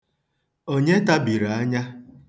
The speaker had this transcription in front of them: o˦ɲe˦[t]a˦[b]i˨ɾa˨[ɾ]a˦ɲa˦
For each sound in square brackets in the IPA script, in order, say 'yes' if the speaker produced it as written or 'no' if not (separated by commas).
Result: yes, yes, no